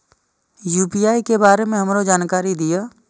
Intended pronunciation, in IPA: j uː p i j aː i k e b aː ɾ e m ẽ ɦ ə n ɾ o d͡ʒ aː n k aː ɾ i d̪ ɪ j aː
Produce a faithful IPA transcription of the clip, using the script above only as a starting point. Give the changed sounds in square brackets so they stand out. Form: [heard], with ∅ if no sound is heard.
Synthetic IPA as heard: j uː p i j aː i k e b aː ɾ e m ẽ ɦ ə [m] ɾ o d͡ʒ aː n k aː ɾ i d̪ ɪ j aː